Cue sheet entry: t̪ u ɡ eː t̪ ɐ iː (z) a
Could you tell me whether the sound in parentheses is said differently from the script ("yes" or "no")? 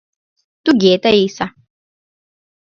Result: yes